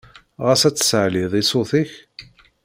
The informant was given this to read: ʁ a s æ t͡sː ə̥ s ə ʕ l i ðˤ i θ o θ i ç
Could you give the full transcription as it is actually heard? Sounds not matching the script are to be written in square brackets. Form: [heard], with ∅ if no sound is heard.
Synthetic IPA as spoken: ʁ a s æ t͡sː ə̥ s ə ʕ l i ðˤ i [s] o θ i ç